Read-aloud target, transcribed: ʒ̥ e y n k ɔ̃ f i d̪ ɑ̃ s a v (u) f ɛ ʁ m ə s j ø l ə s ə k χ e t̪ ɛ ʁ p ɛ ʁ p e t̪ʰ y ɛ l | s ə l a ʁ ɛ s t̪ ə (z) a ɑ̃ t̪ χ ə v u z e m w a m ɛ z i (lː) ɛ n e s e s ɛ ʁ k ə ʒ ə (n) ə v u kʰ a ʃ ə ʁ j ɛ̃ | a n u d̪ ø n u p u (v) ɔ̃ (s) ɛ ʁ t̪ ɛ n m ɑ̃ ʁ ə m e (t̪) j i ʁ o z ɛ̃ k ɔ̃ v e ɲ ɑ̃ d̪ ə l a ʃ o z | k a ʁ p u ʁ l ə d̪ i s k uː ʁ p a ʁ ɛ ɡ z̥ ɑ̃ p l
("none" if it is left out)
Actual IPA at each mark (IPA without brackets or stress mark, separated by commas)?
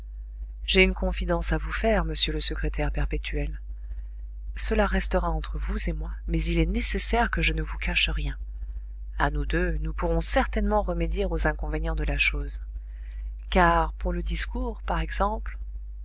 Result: u, ʁ, l, n, ʁ, s, d̪